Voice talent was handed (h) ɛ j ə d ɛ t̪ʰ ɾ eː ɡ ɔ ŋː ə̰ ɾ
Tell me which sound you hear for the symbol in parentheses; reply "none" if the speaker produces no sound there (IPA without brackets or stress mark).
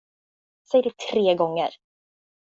s